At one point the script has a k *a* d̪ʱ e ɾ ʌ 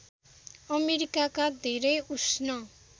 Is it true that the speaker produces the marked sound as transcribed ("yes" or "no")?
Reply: yes